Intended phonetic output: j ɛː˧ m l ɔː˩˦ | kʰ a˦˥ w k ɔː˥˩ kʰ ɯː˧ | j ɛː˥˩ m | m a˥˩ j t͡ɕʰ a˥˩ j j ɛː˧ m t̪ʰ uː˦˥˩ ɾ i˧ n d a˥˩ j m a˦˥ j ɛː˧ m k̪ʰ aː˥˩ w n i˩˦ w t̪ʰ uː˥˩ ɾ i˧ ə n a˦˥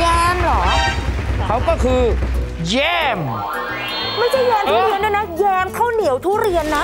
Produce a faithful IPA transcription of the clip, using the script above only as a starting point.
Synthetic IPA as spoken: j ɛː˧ m l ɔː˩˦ | kʰ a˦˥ w k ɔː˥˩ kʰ ɯː˧ | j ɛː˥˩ m | m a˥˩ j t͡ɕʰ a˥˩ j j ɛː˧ m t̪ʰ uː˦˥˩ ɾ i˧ n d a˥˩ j n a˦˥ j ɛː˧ m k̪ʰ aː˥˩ w n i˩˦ w t̪ʰ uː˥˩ ɾ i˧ ə nː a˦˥